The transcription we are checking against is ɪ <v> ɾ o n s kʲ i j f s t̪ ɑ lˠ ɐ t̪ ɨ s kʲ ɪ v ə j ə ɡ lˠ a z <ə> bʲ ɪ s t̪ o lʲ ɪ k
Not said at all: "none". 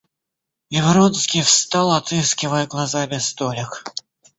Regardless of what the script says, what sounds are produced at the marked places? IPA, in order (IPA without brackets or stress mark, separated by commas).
v, a